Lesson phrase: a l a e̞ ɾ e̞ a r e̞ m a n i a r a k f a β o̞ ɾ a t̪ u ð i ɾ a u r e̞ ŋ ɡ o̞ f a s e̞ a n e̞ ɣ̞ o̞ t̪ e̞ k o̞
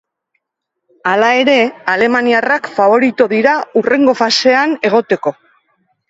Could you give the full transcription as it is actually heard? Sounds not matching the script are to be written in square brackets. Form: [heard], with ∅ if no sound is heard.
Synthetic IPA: a l a e̞ ɾ e̞ a [l] e̞ m a n i a r a k f a β o̞ ɾ [i] t̪ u ð i ɾ a u r e̞ ŋ ɡ o̞ f a s e̞ a n e̞ ɣ̞ o̞ t̪ e̞ k o̞